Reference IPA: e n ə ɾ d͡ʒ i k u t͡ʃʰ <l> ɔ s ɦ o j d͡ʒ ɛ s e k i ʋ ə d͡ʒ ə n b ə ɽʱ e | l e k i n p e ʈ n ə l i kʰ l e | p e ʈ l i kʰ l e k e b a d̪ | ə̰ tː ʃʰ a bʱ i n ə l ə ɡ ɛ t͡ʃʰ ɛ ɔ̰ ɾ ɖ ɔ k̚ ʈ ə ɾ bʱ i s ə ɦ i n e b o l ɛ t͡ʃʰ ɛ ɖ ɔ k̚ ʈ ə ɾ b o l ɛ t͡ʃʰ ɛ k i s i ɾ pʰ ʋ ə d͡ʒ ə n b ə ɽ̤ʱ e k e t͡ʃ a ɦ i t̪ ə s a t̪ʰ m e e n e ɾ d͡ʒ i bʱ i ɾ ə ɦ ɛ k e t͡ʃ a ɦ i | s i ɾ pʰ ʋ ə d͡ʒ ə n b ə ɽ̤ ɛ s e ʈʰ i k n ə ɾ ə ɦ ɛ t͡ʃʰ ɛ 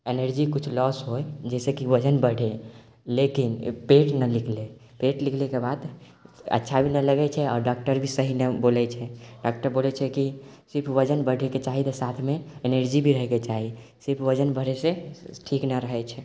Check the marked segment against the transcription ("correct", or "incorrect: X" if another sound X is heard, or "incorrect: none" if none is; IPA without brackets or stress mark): correct